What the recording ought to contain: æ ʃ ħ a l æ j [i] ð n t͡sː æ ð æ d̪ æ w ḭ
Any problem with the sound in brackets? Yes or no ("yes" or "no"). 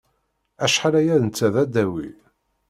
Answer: yes